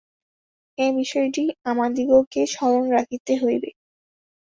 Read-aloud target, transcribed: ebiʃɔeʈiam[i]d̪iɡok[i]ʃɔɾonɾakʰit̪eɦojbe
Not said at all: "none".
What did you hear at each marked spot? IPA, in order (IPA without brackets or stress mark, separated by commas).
a, e